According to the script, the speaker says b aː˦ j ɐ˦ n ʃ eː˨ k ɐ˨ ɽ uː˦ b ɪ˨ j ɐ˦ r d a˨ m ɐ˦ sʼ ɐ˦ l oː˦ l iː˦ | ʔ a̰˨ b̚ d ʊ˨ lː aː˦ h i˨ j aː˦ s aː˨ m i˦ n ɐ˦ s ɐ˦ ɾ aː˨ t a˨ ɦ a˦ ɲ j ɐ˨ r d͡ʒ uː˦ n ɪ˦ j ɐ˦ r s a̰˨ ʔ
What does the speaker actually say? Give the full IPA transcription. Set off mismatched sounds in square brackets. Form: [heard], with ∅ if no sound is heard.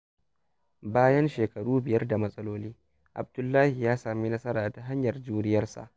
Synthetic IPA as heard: b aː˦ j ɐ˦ n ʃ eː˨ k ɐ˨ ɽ uː˦ b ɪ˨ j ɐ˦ r d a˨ m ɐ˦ sʼ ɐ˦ l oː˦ l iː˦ | ʔ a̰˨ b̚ d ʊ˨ lː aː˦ h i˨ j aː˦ s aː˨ m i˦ n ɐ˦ s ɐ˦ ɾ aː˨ t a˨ ɦ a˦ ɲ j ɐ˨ r d͡ʒ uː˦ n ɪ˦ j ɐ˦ r s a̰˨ ʔ

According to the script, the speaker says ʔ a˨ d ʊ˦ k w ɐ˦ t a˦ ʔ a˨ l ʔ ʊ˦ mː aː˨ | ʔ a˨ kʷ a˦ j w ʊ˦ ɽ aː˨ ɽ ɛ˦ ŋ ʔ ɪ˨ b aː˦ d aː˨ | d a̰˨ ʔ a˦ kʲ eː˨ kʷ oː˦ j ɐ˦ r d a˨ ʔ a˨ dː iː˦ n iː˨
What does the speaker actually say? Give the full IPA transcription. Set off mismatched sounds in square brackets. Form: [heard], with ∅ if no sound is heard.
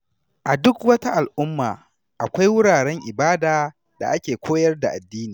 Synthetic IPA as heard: ʔ a˨ d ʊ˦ k w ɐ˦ t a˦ ʔ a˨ l ʔ ʊ˦ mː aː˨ | ʔ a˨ kʷ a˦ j w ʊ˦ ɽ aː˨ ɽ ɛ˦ ŋ ʔ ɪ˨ b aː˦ d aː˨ | d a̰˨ ʔ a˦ kʲ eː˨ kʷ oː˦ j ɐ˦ r d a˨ ʔ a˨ dː iː˦ n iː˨

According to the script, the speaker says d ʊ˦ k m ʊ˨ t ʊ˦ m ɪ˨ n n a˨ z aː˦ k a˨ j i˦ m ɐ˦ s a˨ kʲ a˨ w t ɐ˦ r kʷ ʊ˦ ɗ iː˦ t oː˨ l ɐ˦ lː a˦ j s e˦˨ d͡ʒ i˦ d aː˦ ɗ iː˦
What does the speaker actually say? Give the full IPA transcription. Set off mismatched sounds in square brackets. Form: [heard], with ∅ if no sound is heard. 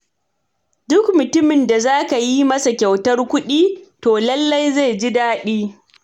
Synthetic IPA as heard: d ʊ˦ k m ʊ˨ t ʊ˦ m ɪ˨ n [d] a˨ z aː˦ k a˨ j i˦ m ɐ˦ s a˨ kʲ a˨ w t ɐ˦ r kʷ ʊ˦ ɗ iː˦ t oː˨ l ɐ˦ lː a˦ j [z] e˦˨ d͡ʒ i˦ d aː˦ ɗ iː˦

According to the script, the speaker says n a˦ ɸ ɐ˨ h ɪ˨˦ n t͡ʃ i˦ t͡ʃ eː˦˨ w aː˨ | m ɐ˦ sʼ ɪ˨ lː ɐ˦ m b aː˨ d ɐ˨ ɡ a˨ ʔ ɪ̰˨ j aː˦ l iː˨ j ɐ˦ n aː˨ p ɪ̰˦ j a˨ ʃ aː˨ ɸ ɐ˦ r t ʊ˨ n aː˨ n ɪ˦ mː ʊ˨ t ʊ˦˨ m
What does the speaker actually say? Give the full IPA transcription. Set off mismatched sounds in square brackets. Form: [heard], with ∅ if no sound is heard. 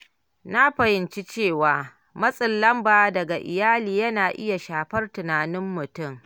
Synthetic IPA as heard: n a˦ ɸ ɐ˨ h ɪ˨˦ n t͡ʃ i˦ t͡ʃ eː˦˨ w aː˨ | m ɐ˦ sʼ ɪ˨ lː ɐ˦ m b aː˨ d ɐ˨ ɡ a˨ ʔ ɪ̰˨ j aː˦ l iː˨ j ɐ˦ n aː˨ [ʔ] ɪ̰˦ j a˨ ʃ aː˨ ɸ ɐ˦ r t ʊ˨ n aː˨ n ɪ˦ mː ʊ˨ t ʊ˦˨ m

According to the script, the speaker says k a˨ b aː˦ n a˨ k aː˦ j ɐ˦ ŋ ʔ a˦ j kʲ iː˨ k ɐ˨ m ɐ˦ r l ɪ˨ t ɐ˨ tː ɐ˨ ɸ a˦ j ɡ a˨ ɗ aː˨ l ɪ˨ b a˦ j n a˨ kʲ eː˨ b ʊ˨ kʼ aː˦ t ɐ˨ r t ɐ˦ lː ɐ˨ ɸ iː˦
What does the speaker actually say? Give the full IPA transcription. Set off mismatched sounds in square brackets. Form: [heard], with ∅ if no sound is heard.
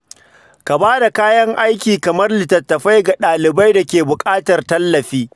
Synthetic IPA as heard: k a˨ b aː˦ [d] a˨ k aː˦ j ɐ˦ ŋ ʔ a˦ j kʲ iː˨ k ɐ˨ m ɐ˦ r l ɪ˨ t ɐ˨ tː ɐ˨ ɸ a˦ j ɡ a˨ ɗ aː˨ l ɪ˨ b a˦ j [d] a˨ kʲ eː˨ b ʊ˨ kʼ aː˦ t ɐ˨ r t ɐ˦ lː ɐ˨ ɸ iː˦

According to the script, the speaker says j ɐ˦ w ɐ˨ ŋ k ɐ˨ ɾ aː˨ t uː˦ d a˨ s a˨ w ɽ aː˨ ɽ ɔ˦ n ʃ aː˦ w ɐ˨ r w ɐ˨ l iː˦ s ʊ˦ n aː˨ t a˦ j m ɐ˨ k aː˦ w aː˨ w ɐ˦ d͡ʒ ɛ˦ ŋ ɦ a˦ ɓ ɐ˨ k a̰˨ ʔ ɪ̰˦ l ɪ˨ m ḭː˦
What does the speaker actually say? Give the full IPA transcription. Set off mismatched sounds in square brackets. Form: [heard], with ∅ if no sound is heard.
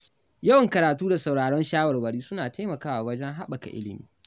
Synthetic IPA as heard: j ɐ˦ w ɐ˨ ŋ k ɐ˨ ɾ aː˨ t uː˦ d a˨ s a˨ w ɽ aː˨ ɽ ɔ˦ n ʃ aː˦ w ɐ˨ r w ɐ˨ [ɽ] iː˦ s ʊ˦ n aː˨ t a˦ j m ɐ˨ k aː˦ w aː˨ w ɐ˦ d͡ʒ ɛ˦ ŋ ɦ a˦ ɓ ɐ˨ k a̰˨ ʔ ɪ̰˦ l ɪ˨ m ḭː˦

